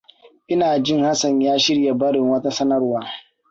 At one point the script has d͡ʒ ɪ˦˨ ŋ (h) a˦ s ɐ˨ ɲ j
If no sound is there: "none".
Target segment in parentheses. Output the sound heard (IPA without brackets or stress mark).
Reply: h